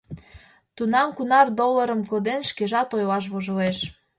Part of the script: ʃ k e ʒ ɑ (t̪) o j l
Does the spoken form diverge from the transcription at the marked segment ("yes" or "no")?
no